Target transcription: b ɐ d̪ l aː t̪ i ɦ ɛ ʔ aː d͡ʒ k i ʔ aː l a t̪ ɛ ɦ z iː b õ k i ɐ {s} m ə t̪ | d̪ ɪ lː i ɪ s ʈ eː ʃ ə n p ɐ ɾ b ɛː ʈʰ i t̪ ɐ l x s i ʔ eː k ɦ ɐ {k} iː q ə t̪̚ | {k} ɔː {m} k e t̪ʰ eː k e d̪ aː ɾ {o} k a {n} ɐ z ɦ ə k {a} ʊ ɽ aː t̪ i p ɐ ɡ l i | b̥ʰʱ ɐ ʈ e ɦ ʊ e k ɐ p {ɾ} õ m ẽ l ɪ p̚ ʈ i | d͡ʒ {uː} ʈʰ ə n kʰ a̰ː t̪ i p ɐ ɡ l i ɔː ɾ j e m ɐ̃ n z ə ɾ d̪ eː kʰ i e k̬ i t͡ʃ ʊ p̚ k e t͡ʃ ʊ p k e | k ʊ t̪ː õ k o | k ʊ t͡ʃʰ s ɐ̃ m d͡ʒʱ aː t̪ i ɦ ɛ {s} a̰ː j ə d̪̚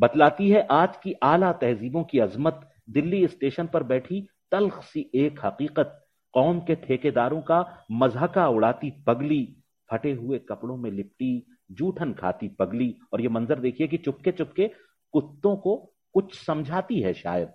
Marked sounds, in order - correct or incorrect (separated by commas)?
incorrect, incorrect, incorrect, correct, incorrect, incorrect, correct, incorrect, correct, incorrect